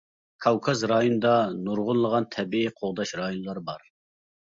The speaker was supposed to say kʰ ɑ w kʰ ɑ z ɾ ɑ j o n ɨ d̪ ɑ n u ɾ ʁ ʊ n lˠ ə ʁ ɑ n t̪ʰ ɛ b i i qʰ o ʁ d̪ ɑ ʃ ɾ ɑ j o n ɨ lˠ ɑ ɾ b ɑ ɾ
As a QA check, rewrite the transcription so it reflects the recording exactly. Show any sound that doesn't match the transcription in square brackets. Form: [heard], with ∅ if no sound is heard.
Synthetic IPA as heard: kʰ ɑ w kʰ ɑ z ɾ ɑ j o n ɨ d̪ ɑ n u ɾ ʁ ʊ n lˠ ə ʁ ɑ n t̪ʰ ɛ b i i qʰ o ʁ d̪ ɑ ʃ ɾ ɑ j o n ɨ lˠ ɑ ɾ b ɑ ɾ